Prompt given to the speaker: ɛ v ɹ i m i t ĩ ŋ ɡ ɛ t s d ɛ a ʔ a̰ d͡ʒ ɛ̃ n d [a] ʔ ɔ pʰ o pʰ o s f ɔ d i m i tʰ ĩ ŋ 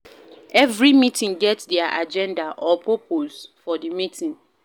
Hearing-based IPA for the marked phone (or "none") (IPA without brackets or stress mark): a